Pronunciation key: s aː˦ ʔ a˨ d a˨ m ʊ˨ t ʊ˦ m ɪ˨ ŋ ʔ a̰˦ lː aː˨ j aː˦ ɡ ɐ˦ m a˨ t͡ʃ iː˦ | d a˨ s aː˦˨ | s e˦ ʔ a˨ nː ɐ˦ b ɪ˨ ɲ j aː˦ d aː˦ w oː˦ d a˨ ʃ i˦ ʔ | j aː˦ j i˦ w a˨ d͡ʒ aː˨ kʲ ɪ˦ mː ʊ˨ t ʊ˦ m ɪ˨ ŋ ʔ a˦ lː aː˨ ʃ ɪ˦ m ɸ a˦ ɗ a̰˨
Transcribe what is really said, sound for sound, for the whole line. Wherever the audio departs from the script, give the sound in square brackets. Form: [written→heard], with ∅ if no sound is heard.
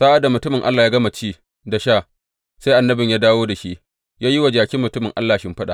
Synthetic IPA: s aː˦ ʔ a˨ d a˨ m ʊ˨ t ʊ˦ m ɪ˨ ŋ ʔ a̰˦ lː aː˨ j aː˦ ɡ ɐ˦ m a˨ t͡ʃ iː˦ | d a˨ [s→ʃ] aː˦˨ | s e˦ ʔ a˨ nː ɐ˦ b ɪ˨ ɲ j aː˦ d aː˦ w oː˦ d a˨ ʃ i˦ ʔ | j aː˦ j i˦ w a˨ d͡ʒ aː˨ kʲ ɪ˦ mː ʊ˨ t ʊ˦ m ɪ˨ ŋ ʔ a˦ lː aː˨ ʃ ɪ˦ m ɸ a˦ ɗ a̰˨